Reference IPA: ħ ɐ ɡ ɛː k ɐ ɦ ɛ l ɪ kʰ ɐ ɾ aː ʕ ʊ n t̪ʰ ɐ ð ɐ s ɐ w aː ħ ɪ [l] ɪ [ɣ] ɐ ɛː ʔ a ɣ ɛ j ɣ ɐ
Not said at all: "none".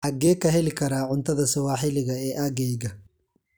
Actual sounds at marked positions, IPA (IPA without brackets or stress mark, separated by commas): l, ɣ